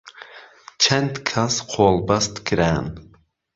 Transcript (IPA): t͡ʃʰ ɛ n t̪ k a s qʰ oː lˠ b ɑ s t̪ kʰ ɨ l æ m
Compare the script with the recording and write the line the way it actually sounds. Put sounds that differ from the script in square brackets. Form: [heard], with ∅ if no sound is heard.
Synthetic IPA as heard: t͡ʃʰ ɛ n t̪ [kʰ] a s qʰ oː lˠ b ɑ s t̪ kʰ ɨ [ɾ] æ [n]